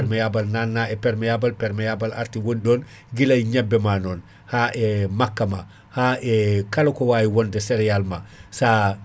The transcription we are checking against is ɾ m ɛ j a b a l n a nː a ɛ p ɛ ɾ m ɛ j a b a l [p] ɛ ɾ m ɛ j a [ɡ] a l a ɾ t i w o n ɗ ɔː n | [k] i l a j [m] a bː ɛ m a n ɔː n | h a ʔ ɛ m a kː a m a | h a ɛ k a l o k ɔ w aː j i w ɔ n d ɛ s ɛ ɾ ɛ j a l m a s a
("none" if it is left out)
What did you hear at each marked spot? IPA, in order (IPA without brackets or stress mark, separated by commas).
p, b, ɡ, ɲ